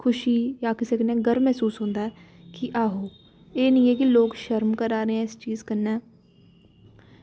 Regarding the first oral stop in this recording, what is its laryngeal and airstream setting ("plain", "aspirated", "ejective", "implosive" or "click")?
aspirated